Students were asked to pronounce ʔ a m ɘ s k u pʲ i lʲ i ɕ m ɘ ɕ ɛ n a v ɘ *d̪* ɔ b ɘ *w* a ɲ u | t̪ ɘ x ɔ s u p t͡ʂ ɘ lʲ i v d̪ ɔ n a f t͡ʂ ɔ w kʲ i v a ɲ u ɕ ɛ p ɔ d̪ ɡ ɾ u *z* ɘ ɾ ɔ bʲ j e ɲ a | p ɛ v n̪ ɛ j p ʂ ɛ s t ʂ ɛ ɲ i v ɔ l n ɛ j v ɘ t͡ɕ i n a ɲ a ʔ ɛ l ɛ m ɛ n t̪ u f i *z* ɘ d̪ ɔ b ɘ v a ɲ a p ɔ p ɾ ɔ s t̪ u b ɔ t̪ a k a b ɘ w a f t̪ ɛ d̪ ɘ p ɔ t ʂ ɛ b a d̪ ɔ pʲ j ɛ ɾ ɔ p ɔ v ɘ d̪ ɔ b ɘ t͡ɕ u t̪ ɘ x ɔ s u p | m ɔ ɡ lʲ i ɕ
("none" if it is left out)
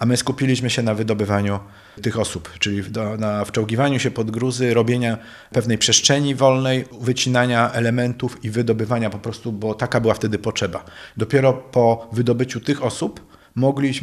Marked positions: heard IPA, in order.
d̪, v, z, v

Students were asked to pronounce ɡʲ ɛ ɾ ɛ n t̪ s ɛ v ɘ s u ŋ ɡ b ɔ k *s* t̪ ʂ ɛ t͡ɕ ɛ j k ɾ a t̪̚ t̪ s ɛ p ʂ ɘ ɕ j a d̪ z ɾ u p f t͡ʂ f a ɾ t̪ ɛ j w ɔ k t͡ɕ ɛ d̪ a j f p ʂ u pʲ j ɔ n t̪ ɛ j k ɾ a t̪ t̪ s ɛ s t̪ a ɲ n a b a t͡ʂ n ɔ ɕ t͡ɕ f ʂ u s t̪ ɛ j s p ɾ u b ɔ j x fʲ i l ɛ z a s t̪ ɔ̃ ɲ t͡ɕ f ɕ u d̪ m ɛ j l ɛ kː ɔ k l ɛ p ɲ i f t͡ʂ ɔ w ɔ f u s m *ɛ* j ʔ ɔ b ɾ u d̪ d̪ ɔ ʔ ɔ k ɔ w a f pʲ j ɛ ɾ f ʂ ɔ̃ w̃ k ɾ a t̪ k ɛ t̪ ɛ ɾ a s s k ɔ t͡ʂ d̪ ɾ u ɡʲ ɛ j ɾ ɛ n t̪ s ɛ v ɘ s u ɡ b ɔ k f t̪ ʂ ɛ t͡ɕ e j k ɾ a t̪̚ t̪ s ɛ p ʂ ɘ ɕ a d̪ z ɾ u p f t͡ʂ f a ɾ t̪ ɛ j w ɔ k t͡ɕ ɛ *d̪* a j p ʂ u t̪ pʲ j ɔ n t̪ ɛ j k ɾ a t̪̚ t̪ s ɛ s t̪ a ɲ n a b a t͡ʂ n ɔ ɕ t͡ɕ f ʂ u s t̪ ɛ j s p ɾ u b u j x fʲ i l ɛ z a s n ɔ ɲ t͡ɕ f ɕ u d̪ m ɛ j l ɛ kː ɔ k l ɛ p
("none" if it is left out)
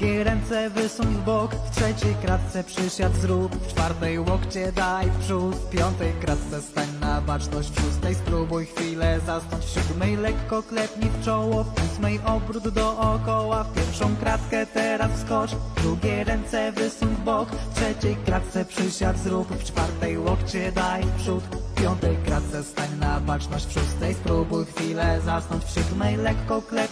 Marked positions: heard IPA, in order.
f, ɛ, d̪

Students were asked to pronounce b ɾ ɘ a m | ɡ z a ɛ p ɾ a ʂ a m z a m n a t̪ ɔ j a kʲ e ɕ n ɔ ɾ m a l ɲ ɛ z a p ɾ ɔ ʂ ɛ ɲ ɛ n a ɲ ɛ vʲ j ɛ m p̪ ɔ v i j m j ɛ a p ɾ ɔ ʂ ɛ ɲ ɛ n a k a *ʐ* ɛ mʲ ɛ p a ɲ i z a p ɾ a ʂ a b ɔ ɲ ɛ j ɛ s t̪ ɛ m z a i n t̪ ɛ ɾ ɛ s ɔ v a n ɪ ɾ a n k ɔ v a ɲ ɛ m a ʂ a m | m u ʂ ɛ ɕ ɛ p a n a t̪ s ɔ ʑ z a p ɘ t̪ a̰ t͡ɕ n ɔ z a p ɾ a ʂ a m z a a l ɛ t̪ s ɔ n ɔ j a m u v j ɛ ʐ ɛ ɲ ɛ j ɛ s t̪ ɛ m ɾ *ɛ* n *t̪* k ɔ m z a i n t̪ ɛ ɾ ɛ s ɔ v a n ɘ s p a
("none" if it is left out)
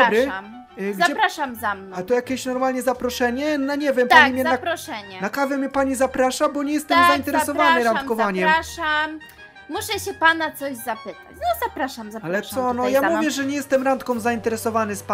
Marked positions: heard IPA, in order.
v, a, t̪

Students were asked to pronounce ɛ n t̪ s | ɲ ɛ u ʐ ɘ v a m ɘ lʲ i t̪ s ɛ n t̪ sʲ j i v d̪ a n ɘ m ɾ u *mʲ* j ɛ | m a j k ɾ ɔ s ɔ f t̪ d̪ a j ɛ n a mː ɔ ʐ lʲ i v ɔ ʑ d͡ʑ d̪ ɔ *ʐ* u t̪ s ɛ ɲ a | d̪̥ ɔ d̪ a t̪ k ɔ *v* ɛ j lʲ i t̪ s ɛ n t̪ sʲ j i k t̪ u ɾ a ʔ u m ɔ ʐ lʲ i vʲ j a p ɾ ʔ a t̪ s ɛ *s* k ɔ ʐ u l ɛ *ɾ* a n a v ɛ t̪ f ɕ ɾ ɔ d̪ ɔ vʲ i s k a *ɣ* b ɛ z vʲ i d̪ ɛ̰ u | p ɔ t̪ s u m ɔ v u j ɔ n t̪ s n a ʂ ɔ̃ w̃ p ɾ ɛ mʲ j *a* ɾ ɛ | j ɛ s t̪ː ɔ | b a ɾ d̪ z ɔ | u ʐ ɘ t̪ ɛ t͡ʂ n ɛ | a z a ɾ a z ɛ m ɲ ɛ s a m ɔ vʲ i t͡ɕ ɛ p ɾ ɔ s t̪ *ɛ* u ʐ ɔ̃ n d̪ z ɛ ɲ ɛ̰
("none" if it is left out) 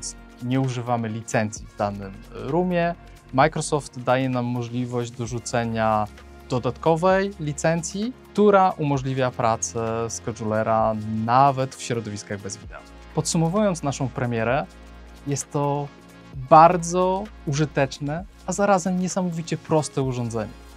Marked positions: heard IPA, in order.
mʲ, ʐ, v, s, ɾ, ɣ, ɛ, ɛ

